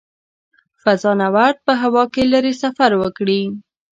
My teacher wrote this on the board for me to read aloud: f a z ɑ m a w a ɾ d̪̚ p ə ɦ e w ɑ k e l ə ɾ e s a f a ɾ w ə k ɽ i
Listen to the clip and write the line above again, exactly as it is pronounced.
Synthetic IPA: f a z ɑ n a w a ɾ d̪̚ p ə ɦ a w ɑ k e l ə ɾ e s a f a ɾ w ə k ɽ i